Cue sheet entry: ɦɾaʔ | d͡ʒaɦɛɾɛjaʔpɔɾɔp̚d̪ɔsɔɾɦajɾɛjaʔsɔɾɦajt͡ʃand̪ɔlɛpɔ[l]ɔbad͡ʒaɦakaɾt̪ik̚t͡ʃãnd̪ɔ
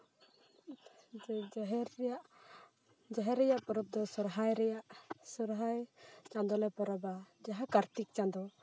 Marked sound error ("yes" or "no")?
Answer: yes